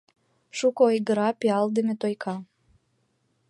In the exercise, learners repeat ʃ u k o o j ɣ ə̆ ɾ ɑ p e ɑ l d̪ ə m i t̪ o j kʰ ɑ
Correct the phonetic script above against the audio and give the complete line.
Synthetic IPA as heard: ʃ u k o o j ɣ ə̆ ɾ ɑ p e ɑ l d̪ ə m e t̪ o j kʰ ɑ

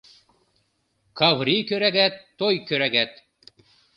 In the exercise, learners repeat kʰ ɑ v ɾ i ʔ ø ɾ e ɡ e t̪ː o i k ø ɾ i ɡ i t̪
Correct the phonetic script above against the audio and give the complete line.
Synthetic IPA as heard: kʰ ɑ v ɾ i k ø ɾ æ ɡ æ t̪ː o j k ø ɾ æ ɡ æ t̪

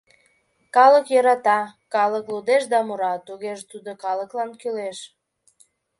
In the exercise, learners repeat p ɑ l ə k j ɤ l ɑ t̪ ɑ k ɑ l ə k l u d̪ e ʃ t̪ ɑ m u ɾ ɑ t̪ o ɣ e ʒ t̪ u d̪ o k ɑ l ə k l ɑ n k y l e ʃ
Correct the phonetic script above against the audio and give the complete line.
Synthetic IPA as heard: k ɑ l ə k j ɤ ɾ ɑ t̪ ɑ k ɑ l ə k l u d̪ e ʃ d̪ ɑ m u ɾ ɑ t̪ u ɣ e ʒ t̪ u d̪ o k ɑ l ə k l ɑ n k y l e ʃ

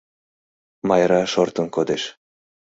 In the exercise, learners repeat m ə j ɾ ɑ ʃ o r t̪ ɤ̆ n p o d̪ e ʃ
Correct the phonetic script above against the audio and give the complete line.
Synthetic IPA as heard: m ɑ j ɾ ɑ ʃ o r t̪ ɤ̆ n k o d̪ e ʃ

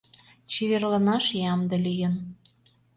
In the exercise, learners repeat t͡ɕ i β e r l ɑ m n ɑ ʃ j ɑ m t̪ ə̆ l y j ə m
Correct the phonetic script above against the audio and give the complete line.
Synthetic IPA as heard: t͡ɕ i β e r l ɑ n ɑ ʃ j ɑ m d̪ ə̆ l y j ə n

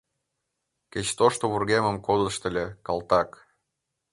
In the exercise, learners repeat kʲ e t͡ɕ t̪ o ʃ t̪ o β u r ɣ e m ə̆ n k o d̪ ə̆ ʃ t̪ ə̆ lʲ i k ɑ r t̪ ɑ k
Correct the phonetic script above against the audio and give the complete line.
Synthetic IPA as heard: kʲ e t͡ɕ t̪ o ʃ t̪ o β u r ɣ e m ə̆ m k o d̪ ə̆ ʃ t̪ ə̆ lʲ e k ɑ l t̪ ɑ k

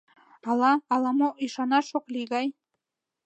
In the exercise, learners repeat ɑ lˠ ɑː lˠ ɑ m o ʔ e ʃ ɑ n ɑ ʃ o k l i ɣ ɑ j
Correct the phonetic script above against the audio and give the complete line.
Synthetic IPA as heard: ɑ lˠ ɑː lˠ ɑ m o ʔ i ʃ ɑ n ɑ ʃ o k l i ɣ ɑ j

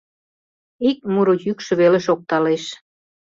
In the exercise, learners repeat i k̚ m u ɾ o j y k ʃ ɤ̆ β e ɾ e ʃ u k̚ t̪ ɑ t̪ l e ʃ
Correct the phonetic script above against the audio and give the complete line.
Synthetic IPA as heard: i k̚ m u ɾ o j y k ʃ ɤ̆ β e l e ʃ o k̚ t̪ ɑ l e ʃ

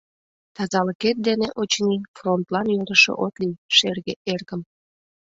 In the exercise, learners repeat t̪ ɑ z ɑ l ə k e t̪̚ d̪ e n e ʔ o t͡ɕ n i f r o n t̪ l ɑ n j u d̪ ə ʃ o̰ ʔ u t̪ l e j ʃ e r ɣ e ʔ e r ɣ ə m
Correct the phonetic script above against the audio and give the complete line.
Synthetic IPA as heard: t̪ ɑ z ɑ l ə k e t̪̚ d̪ e n e ʔ o t͡ɕ n i f r o n t̪ l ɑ n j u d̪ ə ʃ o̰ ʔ o t̪ l i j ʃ e r ɣ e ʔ e r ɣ ə m

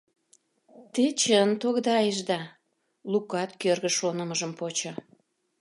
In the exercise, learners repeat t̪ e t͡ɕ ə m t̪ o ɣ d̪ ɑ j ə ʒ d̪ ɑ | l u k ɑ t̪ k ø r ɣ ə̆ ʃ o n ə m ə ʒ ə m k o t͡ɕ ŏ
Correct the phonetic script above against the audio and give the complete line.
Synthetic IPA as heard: t̪ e t͡ɕ ə n t̪ o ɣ d̪ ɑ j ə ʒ d̪ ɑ | l u k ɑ t̪ k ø r ɣ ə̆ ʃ o n ə m ə ʒ ə m p o t͡ɕ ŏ

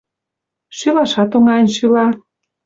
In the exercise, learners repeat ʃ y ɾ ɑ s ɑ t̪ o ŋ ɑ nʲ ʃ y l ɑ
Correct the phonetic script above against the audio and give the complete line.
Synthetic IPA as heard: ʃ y l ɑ ʃ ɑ t̪ o ŋ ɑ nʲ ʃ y l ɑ

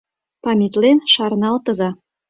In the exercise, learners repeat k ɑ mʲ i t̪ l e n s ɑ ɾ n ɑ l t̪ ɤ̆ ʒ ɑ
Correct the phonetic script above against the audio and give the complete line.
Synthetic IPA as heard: p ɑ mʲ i t̪ l e n ʃ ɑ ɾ n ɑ l t̪ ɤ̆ z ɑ

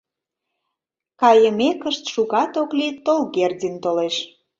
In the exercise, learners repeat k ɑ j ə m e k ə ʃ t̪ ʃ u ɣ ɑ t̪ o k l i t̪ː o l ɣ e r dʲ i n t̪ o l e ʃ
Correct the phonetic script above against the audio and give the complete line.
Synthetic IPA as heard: k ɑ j ə m e k ə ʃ t̪ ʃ u ɣ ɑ t̪ o k l i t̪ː o l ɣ e r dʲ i n t̪ o l e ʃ

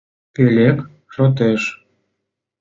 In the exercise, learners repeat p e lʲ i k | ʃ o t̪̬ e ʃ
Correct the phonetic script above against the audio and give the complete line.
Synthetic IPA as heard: p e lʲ e k | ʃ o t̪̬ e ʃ

